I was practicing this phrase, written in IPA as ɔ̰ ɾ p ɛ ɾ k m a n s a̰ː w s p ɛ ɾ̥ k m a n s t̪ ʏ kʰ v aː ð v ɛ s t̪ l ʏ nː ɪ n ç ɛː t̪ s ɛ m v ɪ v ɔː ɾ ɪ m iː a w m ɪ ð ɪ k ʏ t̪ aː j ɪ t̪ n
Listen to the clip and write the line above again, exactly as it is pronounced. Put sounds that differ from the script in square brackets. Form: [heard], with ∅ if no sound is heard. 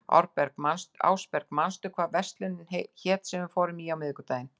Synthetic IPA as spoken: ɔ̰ ɾ p ɛ ɾ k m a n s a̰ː w s p ɛ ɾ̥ k m a n s t̪ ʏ kʰ v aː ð v ɛ s t̪ l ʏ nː ɪ n ç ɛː t̪ s ɛ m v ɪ [f] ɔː ɾ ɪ m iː a w m ɪ ð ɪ k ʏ t̪ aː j ɪ [∅] n